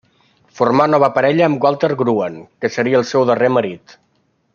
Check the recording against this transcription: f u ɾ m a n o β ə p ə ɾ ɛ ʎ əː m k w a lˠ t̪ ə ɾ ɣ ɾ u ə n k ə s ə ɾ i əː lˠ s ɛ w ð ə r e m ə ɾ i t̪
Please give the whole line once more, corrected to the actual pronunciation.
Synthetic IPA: f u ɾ m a n ɔ β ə p ə ɾ ɛ ʎ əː m ɡ w a lˠ t̪ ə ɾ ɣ ɾ u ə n k ə s ə ɾ i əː lˠ s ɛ w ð ə r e m ə ɾ i t̪